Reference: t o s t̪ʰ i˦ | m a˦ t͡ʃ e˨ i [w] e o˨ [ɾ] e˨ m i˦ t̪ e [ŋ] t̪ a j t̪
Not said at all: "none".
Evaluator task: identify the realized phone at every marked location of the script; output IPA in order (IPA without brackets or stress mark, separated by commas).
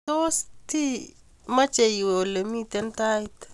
w, l, n